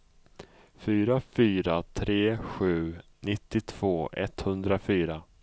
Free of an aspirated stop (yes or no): no